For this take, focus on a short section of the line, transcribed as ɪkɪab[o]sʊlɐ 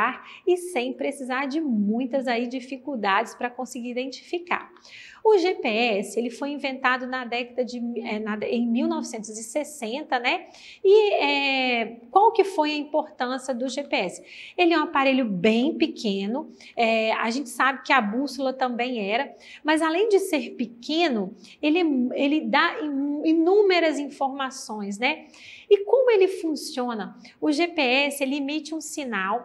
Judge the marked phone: incorrect: u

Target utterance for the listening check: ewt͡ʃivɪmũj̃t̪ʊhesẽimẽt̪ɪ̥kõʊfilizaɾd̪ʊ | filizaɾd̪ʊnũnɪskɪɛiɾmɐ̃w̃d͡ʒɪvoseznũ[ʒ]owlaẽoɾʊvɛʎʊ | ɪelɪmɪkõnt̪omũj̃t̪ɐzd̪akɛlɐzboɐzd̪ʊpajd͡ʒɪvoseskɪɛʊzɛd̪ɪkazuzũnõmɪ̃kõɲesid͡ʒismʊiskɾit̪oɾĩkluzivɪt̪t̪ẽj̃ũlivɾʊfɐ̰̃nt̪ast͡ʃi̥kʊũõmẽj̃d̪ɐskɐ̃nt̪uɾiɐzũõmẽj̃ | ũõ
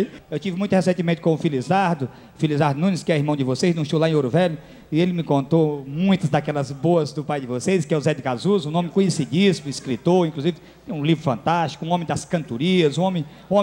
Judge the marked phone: incorrect: ʃ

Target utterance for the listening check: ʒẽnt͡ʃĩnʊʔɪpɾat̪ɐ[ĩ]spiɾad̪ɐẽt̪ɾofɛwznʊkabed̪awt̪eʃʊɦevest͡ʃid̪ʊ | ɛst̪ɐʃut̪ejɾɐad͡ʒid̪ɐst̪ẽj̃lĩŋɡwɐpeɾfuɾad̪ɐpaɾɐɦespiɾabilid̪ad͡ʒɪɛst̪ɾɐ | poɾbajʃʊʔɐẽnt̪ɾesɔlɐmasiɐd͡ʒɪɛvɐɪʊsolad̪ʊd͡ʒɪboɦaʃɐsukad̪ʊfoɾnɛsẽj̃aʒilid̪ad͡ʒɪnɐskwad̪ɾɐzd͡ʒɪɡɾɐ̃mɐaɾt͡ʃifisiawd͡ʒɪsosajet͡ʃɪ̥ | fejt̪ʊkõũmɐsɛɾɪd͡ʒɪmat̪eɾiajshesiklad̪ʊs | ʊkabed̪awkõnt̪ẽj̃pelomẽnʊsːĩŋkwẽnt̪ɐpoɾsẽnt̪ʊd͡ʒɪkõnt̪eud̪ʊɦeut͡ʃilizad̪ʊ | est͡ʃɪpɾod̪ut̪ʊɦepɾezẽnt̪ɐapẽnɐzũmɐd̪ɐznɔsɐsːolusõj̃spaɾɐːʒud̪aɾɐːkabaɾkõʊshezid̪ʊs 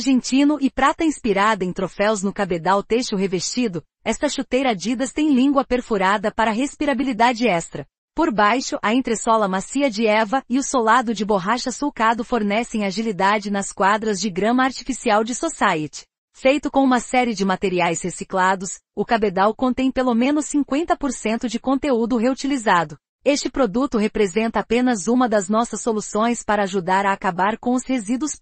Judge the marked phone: correct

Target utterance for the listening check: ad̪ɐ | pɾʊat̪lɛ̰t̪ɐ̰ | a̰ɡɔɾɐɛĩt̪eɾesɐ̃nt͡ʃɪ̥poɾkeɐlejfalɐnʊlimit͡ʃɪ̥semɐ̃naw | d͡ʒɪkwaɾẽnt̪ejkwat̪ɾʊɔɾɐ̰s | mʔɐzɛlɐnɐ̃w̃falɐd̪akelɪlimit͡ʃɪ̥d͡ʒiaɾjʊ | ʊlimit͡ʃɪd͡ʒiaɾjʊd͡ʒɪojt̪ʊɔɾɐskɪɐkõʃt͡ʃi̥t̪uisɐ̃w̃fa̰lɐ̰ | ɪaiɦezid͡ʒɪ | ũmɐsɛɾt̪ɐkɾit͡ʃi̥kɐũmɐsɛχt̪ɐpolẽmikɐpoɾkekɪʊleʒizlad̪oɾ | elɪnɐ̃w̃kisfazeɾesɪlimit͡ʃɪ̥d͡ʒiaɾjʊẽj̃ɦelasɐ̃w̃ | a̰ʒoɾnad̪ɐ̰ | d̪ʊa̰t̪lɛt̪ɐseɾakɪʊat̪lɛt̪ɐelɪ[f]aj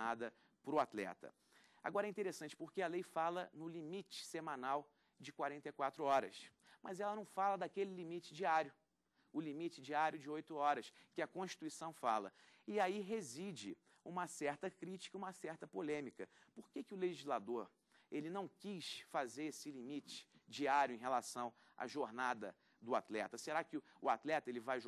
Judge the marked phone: incorrect: v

